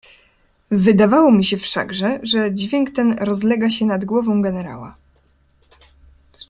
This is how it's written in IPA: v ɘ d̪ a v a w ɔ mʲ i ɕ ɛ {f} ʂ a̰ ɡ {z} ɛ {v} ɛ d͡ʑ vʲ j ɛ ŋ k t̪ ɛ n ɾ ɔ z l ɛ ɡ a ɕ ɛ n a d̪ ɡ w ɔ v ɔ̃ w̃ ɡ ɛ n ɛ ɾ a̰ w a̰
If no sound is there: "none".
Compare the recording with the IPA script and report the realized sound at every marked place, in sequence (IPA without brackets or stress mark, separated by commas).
f, ʐ, ʐ